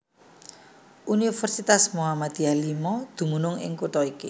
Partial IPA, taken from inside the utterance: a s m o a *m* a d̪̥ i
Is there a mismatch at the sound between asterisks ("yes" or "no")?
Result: no